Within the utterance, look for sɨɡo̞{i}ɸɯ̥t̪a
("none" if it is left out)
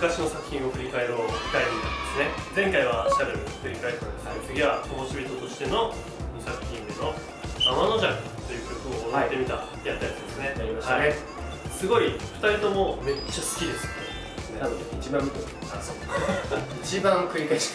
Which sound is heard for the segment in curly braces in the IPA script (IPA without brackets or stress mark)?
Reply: i